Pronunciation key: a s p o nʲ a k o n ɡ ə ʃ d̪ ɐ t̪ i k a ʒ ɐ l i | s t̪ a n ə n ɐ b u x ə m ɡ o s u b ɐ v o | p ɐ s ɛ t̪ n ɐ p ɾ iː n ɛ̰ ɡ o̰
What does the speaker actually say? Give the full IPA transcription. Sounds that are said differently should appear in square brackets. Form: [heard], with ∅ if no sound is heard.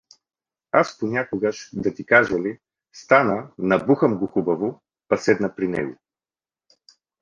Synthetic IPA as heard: a s p o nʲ a k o [∅] ɡ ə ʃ d̪ ɐ t̪ i k a ʒ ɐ l i | s t̪ a n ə n ɐ b u x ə m ɡ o [x] u b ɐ v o | p ɐ s ɛ [d̪] n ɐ p ɾ [i] n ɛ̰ ɡ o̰

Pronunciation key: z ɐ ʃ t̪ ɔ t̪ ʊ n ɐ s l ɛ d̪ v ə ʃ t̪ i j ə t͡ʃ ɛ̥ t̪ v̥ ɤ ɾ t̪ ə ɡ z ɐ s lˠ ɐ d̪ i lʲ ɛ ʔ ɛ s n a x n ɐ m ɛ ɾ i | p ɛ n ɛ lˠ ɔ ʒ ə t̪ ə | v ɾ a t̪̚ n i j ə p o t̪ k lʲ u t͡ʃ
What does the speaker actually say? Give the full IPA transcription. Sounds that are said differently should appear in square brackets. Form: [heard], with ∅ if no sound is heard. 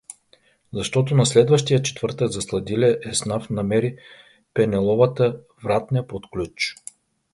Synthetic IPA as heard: z ɐ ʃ t̪ ɔ t̪ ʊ n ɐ s l ɛ d̪ v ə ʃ t̪ i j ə t͡ʃ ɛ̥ t̪ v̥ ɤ ɾ t̪ ə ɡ z ɐ s lˠ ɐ d̪ i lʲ ɛ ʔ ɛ s n a [f] n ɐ m ɛ ɾ i | p ɛ n ɛ lˠ ɔ [v] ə t̪ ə | v ɾ a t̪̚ n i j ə p o t̪ k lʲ u t͡ʃ

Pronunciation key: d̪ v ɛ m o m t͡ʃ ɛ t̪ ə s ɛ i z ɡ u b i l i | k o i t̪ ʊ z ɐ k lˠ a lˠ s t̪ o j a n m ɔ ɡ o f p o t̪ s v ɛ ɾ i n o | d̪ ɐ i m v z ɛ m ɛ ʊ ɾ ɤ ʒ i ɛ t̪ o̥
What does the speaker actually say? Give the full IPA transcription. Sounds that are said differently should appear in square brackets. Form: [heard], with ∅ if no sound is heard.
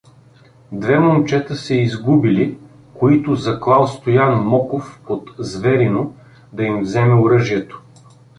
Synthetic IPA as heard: d̪ v ɛ m o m t͡ʃ ɛ t̪ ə s ɛ i z ɡ u b i l i | k o i t̪ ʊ z ɐ k lˠ a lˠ s t̪ o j a n m ɔ [k] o f p o t̪ [z] v ɛ ɾ i n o | d̪ ɐ i m v z ɛ m ɛ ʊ ɾ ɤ ʒ i ɛ t̪ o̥

